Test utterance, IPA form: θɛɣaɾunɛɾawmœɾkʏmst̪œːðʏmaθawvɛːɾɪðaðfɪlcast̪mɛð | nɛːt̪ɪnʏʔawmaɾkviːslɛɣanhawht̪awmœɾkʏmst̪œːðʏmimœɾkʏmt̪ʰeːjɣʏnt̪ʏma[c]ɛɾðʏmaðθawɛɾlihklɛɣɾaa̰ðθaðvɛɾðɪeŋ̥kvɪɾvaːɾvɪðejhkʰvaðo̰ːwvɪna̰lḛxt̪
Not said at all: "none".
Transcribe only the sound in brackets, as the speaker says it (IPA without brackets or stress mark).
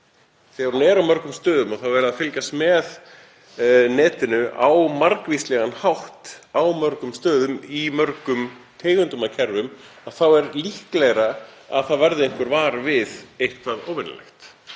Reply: cʰ